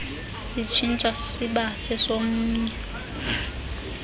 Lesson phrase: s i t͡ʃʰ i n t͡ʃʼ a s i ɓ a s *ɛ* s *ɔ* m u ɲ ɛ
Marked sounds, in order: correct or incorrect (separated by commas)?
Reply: correct, incorrect